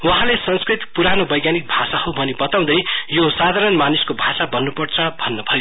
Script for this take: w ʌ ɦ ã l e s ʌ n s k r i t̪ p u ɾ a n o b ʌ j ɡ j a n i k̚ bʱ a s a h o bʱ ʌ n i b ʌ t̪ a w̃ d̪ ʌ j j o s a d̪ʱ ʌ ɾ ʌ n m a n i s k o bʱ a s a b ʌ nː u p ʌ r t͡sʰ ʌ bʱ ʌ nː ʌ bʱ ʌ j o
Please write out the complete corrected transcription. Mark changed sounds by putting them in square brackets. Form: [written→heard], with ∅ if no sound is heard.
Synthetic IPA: w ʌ ɦ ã l e s ʌ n s k r i t̪ p u ɾ a n o b ʌ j ɡ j a n i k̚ bʱ a s a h o bʱ ʌ n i b ʌ t̪ a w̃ d̪ ʌ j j o s a d̪ʱ [ʌ→a] ɾ ʌ n m a n i s k o bʱ a s a b ʌ nː u p ʌ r t͡sʰ ʌ bʱ ʌ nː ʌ bʱ ʌ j o